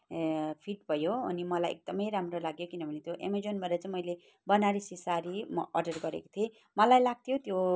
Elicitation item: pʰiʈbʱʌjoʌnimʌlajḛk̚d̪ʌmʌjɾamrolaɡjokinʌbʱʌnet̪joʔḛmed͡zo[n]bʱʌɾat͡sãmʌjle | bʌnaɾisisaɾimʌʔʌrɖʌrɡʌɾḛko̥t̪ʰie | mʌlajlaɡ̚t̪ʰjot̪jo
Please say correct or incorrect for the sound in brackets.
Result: correct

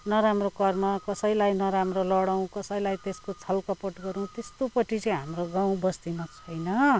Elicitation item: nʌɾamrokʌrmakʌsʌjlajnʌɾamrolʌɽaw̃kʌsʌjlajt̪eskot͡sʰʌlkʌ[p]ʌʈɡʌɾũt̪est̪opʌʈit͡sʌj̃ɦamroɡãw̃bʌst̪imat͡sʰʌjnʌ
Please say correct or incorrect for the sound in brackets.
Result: correct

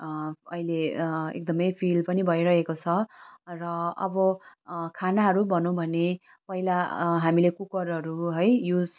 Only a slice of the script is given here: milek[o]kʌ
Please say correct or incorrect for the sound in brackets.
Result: incorrect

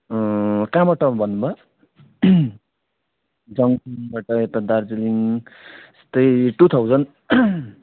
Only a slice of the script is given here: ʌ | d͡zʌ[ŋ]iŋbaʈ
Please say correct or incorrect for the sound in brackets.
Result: correct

